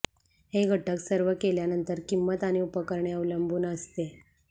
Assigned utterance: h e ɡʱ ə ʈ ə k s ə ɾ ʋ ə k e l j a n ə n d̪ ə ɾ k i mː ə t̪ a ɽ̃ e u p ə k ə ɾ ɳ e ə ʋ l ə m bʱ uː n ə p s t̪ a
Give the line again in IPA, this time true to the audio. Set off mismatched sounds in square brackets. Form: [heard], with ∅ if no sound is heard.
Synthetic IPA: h e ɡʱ ə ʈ ə k s ə ɾ ʋ ə k e l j a n ə n [t̪] ə ɾ k i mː ə t̪ a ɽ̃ [i] u p ə k ə ɾ ɳ e ə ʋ l ə m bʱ uː n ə [∅] s t̪ [e]